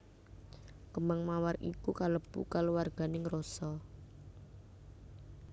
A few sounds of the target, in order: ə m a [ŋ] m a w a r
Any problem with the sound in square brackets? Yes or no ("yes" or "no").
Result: no